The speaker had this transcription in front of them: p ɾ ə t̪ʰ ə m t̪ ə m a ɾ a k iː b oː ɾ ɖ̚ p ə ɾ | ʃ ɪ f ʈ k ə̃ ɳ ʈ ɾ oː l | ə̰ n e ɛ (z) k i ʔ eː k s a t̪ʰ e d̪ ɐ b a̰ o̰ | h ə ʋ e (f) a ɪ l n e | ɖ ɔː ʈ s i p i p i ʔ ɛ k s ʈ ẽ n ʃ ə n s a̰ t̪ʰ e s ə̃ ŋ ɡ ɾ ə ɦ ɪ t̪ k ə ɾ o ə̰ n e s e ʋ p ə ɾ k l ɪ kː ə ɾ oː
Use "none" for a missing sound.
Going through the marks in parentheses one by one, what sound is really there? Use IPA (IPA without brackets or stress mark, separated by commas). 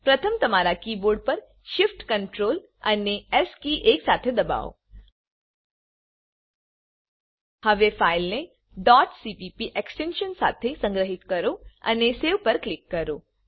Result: s, f